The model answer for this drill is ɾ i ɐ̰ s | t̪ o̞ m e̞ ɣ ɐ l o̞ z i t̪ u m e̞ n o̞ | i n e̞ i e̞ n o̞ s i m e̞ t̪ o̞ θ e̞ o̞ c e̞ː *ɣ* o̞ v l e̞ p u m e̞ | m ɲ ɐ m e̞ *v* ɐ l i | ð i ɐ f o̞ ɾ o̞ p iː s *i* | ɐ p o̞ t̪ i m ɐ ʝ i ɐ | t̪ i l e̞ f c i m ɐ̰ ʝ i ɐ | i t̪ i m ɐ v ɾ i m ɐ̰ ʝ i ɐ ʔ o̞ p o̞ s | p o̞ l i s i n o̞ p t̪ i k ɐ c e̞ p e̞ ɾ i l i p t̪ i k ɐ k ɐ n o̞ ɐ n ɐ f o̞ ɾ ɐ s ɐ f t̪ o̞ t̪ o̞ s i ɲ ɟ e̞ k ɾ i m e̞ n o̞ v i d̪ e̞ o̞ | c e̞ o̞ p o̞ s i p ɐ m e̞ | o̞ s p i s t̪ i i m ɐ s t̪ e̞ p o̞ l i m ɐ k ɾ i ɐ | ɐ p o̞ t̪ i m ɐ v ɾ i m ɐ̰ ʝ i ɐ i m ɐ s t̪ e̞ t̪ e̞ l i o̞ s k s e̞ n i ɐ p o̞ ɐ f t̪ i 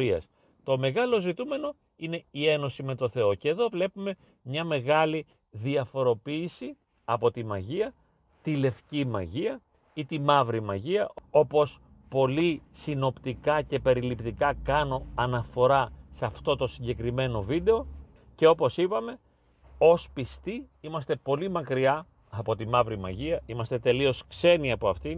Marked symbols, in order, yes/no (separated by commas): no, no, yes